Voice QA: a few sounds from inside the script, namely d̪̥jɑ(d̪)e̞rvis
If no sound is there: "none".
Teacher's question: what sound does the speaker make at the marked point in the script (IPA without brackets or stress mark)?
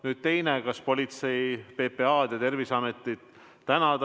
t̪